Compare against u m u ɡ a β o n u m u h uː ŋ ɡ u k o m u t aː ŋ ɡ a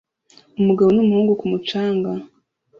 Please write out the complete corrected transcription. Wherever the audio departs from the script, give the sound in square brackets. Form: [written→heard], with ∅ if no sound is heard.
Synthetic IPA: u m u ɡ a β o n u m u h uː ŋ ɡ u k [o→u] m u [t→t͡ʃ] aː ŋ ɡ a